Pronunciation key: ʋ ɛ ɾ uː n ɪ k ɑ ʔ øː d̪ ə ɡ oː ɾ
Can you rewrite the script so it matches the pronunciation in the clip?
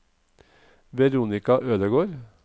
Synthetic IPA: ʋ ɛ ɾ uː n ɪ k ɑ ʔ øː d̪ ə ɡ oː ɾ